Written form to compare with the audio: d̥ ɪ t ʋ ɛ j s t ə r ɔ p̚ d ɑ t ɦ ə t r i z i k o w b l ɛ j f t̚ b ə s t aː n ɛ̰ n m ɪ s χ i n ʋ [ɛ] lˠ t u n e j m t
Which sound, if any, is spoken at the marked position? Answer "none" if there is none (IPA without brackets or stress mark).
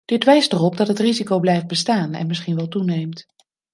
ɛ